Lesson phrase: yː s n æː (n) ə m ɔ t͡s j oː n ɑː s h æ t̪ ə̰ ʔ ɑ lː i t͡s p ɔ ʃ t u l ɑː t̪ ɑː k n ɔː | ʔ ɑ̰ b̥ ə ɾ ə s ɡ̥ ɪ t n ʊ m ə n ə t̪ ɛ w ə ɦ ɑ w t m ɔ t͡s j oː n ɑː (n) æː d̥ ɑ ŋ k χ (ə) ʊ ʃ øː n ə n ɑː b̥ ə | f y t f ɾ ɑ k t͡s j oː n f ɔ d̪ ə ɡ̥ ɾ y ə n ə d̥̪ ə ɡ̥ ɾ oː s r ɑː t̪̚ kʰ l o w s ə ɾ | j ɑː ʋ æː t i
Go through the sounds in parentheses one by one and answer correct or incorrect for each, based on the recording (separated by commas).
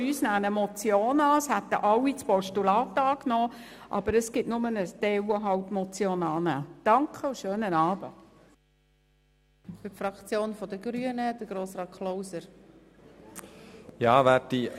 correct, correct, correct